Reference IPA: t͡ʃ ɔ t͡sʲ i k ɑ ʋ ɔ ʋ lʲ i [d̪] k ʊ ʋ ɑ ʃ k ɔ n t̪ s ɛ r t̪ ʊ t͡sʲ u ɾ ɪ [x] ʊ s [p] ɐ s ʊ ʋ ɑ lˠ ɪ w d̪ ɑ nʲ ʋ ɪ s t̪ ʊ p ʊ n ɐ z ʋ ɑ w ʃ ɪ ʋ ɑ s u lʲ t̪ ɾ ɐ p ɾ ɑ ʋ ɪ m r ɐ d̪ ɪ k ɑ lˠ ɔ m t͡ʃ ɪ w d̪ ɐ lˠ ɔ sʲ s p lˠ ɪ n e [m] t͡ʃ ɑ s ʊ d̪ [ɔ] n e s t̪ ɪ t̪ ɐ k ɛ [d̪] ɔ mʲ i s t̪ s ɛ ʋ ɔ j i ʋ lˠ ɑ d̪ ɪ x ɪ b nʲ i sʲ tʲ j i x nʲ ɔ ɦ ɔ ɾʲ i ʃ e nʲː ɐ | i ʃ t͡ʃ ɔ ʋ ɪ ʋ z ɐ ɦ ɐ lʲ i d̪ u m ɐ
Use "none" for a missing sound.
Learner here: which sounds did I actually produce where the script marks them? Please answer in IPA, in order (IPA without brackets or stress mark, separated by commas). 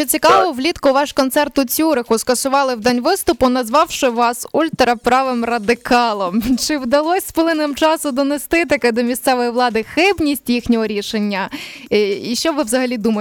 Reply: t̪, x, k, m, ɔ, d̪